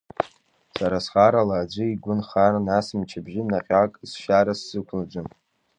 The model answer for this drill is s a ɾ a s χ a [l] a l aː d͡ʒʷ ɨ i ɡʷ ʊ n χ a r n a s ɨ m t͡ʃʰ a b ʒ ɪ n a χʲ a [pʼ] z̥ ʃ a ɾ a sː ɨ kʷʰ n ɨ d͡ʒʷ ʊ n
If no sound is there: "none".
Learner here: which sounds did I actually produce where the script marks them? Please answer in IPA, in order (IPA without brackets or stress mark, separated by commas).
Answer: ɾ, kʼ